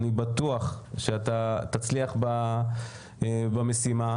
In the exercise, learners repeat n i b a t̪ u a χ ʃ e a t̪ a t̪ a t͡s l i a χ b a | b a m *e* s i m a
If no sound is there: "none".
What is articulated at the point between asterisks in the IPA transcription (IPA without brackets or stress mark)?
e